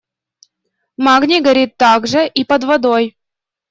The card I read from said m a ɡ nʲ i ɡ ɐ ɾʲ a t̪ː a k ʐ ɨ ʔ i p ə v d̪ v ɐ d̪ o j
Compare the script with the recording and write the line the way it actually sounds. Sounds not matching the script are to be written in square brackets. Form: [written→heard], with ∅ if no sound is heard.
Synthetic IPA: m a ɡ nʲ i ɡ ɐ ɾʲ [a→i] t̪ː a [k→ɡ] ʐ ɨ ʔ i p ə [v→∅] d̪ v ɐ d̪ o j